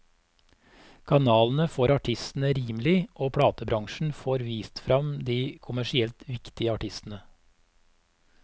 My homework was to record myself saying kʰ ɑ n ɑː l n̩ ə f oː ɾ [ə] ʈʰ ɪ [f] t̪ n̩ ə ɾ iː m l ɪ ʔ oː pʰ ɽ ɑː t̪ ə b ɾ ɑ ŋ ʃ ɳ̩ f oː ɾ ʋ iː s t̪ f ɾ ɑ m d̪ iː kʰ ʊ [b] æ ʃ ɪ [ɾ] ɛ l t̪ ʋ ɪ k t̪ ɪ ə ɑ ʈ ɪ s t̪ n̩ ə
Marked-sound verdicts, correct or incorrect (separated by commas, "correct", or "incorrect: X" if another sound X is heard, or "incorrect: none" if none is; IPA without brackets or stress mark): incorrect: ɑ, incorrect: s, incorrect: m, incorrect: none